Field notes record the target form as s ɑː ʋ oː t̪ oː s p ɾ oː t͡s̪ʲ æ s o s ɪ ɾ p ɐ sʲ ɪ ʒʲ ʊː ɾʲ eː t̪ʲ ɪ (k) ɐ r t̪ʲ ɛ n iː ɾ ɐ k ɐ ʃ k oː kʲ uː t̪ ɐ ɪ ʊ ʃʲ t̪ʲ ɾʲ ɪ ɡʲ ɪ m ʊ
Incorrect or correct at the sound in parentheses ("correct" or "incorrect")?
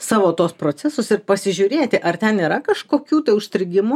incorrect